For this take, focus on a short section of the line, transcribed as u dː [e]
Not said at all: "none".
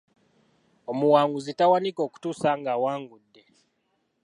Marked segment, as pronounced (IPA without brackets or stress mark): e